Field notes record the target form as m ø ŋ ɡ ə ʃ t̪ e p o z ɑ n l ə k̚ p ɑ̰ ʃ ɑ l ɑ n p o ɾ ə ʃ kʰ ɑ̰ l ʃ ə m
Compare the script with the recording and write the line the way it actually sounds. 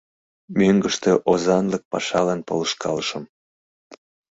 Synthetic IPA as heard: m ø ŋ ɡ ə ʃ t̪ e ʔ o z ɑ n l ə k̚ p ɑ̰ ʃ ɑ l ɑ n p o l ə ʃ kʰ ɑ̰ l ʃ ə m